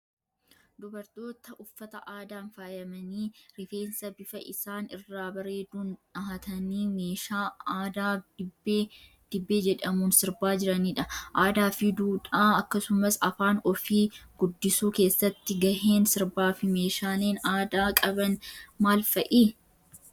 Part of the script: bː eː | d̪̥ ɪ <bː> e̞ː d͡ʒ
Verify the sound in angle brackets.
correct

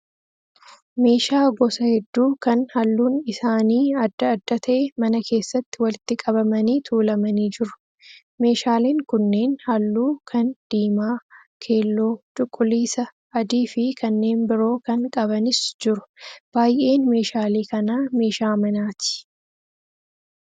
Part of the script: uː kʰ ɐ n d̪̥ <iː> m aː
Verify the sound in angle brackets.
correct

